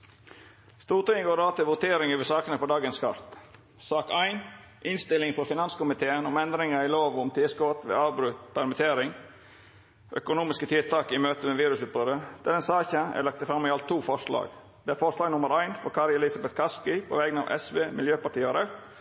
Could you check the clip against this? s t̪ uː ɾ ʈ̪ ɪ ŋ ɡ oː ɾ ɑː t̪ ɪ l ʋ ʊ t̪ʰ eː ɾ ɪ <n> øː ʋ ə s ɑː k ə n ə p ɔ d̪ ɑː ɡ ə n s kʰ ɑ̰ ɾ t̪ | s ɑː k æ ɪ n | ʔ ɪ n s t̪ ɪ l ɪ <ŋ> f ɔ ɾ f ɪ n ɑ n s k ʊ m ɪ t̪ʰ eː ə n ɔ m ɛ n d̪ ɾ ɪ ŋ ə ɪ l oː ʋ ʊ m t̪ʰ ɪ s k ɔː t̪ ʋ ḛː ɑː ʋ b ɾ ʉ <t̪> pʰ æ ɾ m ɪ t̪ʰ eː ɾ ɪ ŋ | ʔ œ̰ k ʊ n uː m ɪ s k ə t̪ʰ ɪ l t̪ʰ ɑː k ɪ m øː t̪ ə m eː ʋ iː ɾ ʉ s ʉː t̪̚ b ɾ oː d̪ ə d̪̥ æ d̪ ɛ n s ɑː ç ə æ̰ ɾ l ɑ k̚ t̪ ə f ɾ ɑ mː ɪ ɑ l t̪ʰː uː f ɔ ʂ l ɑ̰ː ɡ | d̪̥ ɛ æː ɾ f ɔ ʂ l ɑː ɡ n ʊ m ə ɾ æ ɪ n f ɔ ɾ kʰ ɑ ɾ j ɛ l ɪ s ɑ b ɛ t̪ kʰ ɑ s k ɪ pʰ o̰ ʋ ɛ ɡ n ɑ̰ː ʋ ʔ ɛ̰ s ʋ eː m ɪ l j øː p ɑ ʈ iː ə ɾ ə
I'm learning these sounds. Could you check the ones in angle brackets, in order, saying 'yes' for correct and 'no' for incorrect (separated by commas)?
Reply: no, yes, yes